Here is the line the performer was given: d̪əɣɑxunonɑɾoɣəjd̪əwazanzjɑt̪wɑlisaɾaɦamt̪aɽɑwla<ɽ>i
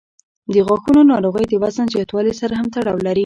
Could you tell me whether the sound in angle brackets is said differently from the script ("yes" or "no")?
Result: yes